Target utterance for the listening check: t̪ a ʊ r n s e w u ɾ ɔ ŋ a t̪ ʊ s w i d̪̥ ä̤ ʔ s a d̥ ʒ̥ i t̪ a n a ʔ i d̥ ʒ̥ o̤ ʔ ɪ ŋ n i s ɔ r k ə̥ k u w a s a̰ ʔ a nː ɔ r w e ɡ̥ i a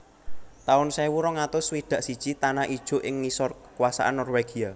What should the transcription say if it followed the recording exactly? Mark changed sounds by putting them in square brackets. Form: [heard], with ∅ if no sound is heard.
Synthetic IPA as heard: t̪ a ʊ [∅] n s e w u ɾ ɔ ŋ a t̪ ʊ s w i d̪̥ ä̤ ʔ s [i] d̥ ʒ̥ i t̪ a n a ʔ i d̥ ʒ̥ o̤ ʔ ɪ ŋ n i s ɔ r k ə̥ k u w a s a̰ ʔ a nː ɔ r w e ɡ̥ i a